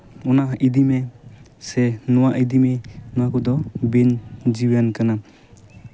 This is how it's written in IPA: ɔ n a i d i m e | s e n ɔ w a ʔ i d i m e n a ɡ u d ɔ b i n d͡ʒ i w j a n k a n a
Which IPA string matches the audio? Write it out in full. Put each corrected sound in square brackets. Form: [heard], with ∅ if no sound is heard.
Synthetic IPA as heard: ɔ n a i d i m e | s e n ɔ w a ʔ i d i m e n a [k] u d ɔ b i n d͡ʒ i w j a n k a n a